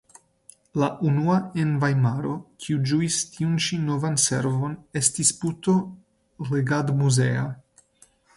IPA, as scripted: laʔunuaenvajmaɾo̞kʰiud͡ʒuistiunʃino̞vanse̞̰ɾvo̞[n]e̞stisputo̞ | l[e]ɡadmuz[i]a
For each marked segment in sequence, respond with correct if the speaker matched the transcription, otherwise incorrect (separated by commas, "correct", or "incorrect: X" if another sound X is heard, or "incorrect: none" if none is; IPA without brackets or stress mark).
correct, correct, incorrect: e